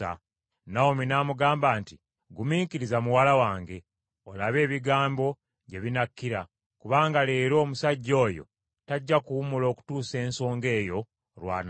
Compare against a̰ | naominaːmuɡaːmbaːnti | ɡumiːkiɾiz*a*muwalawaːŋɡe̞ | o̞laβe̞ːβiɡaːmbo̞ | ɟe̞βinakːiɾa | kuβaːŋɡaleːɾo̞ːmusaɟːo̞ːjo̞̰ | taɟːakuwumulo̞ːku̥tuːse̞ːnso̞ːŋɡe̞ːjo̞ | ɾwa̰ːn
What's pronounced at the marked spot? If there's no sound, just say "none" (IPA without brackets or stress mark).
a